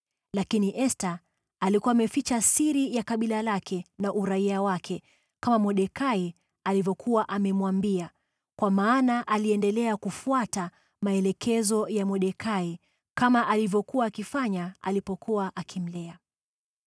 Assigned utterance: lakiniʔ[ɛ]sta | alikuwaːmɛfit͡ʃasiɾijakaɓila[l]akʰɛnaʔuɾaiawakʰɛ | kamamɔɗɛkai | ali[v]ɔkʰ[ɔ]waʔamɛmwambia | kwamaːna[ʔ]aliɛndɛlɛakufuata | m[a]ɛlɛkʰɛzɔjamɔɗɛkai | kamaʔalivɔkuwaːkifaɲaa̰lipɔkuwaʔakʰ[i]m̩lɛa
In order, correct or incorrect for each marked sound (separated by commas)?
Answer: correct, correct, correct, incorrect, correct, correct, correct